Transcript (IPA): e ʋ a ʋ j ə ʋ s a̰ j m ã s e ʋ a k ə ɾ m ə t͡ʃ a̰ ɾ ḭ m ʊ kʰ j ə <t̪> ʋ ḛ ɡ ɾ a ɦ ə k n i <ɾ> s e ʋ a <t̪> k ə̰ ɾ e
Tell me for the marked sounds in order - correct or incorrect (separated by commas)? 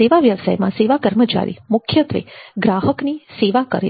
correct, incorrect, incorrect